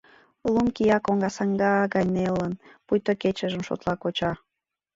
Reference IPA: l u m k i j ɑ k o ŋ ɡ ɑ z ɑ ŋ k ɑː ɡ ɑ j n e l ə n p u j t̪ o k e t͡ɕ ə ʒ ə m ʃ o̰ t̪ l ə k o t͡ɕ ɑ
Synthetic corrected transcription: l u m k i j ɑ k o ŋ ɡ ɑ s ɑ ŋ ɡ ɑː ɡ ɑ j n e l ə n p u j t̪ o k e t͡ɕ ə ʒ ə m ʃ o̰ t̪ l ɑ k o t͡ɕ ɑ